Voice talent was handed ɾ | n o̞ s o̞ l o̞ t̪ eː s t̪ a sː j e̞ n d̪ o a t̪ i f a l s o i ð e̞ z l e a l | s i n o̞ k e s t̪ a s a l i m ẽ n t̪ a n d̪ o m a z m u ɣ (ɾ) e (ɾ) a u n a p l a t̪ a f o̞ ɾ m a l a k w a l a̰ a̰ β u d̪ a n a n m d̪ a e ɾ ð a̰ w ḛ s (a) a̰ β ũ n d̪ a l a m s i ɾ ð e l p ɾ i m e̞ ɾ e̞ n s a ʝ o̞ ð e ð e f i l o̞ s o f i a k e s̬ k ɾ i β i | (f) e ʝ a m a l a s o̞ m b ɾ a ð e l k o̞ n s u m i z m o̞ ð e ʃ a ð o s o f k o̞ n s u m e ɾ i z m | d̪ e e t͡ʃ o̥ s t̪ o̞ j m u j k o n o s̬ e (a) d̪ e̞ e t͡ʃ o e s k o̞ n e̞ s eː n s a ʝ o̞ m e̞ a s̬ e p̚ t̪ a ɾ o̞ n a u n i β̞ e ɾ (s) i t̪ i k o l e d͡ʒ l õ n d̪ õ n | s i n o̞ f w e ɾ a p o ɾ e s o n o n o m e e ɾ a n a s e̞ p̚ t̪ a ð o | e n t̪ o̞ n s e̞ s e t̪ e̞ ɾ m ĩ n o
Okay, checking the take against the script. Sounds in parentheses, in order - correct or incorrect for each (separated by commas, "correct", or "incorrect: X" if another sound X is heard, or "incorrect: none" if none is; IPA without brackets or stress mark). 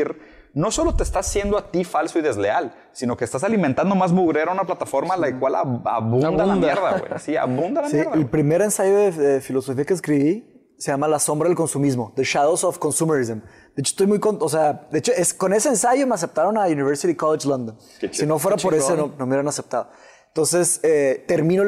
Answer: correct, correct, incorrect: i, incorrect: s, correct, correct